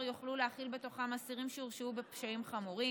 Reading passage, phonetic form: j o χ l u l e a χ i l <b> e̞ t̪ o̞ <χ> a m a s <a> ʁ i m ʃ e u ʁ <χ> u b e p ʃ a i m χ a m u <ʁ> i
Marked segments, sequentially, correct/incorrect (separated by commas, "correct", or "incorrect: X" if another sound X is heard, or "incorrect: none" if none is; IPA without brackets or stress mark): correct, correct, incorrect: i, incorrect: ʃ, correct